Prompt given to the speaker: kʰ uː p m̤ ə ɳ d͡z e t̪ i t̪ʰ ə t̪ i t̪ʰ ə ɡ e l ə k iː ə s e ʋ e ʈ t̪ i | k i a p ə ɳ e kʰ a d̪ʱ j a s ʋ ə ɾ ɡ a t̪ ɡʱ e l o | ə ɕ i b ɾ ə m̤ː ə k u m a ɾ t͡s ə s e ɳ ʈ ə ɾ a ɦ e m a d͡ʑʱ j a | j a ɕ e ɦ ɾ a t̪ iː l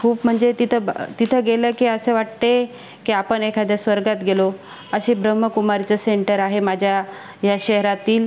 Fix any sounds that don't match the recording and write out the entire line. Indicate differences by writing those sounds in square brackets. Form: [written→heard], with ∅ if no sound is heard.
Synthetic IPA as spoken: kʰ uː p m̤ ə ɳ d͡z e t̪ i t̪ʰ ə t̪ i t̪ʰ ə ɡ e l ə k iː ə s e ʋ [e→a] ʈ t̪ [i→e] | k i a p ə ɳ e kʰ a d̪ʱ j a s ʋ ə ɾ ɡ a t̪ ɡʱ e l o | ə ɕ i b ɾ ə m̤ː ə k u m a ɾ t͡s ə s e ɳ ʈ ə ɾ a ɦ e m a d͡ʑʱ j a | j a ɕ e ɦ ɾ a t̪ iː l